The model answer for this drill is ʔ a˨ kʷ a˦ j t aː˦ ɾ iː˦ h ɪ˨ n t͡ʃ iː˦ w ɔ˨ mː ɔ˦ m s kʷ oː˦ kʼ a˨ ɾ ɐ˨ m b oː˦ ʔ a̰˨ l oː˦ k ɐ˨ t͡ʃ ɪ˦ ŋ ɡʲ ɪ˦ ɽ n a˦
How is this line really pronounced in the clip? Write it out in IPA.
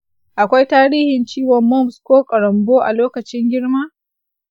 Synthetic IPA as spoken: ʔ a˨ kʷ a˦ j t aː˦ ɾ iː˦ h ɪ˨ n t͡ʃ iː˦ w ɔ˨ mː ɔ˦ m s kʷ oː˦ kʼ ɐ˨ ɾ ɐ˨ m b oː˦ ʔ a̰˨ l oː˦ k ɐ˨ t͡ʃ ɪ˦ ŋ ɡʲ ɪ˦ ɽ m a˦